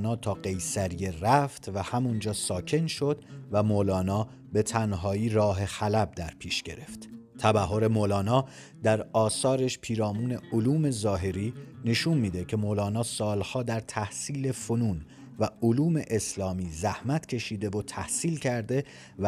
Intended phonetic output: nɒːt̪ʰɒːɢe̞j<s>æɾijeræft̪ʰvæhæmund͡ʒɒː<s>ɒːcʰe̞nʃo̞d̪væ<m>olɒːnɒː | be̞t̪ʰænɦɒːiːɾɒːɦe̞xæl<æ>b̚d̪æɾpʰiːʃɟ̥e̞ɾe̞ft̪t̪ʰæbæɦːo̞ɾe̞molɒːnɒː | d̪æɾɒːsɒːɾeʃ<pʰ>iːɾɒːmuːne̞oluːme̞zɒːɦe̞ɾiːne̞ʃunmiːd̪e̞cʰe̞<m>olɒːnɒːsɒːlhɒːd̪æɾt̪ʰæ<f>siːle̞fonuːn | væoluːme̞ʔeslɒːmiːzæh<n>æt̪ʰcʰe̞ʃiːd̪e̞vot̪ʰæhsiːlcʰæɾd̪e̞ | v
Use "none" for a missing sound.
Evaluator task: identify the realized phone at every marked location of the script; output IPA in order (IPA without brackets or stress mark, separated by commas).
s, s, m, æ, pʰ, m, h, m